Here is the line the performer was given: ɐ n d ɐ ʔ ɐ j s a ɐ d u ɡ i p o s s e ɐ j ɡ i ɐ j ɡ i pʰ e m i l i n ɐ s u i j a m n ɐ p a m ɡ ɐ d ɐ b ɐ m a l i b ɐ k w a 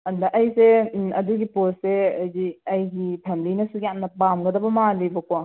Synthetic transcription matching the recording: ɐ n d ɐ ʔ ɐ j s e ɐ d u ɡ i p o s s e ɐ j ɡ i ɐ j ɡ i pʰ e m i l i n ɐ s u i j a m n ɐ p a m ɡ ɐ d ɐ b ɐ m a l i b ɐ k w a